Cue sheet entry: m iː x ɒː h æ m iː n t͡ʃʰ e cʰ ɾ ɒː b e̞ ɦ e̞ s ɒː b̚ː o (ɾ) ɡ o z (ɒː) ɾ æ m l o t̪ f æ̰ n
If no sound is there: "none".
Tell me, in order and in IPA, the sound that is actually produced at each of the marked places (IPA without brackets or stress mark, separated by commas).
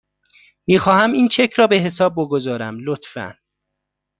none, ɒː